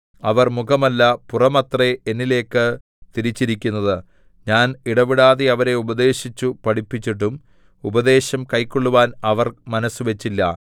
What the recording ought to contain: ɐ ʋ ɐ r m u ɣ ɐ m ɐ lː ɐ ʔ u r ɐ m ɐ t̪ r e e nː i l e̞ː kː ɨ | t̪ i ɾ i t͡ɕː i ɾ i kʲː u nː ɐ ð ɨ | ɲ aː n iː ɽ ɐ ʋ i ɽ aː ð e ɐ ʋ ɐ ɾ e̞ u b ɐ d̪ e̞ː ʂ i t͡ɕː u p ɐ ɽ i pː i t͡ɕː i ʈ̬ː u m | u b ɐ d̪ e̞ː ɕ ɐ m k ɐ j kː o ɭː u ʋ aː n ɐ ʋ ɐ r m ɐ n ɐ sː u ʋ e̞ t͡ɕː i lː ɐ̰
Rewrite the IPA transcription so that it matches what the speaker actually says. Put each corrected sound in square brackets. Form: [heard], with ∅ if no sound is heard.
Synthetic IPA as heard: ɐ ʋ ɐ r m u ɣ ɐ m ɐ lː ɐ [p] u r ɐ m ɐ t̪ r e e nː i l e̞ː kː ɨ | t̪ i ɾ i t͡ɕː i ɾ i kʲː u nː ɐ ð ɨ | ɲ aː n [i] ɽ ɐ ʋ i ɽ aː ð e ɐ ʋ ɐ ɾ e̞ u b ɐ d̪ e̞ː [ɕ] i t͡ɕː u p ɐ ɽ i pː i t͡ɕː i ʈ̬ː u m | u b ɐ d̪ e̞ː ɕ ɐ m k ɐ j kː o ɭː u ʋ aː n ɐ ʋ ɐ r m ɐ n ɐ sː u ʋ e̞ t͡ɕː i lː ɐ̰